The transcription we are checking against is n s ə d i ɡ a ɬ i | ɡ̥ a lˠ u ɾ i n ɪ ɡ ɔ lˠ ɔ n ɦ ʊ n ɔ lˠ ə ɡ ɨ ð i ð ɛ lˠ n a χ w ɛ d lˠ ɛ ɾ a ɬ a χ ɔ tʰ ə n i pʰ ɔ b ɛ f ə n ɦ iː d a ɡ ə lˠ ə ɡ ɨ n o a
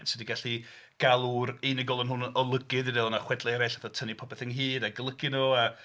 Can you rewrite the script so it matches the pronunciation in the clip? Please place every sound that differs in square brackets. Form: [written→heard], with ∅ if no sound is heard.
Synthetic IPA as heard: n s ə d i ɡ a ɬ i | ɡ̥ a lˠ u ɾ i n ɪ ɡ ɔ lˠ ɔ n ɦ ʊ n ɔ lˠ ə ɡ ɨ ð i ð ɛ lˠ n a χ w ɛ d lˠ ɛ ɾ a ɬ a [χ→θ] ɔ tʰ ə n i pʰ ɔ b ɛ [f→θ] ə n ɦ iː d a ɡ ə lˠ ə ɡ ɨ n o a